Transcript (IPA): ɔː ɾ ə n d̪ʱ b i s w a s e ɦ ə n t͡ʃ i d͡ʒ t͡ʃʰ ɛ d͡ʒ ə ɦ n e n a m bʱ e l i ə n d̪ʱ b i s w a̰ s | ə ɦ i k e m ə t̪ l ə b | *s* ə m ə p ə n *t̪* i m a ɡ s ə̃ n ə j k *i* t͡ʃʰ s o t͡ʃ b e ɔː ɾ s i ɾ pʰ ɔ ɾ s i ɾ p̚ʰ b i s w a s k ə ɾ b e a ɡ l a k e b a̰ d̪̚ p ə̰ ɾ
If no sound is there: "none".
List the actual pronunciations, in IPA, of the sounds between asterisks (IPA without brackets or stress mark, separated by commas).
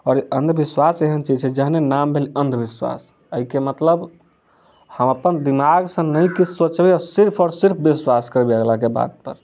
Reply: h, d̪, i